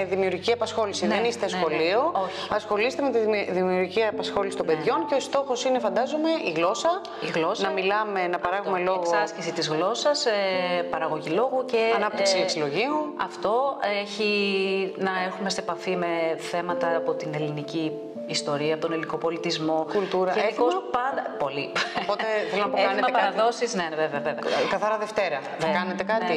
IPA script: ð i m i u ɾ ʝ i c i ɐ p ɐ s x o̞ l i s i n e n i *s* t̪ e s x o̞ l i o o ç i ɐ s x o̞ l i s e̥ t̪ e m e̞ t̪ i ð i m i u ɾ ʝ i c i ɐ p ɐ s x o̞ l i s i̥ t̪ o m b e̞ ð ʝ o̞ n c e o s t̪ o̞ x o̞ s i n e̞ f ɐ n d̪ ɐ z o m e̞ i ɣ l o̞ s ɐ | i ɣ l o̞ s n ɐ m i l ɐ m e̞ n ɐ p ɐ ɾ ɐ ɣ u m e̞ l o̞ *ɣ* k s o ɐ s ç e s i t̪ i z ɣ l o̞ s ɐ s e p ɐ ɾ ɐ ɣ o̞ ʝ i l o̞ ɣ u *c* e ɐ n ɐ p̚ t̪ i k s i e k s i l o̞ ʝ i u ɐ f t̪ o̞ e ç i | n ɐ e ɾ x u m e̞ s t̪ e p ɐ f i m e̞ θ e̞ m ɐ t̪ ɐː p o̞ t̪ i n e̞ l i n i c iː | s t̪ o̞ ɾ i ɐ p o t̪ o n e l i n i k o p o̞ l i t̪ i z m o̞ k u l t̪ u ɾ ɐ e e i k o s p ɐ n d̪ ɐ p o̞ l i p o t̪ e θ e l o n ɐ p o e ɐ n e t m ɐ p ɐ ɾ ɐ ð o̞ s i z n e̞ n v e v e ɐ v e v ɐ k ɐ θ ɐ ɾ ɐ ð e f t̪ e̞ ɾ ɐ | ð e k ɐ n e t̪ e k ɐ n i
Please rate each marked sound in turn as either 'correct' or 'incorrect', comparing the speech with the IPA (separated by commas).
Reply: correct, correct, correct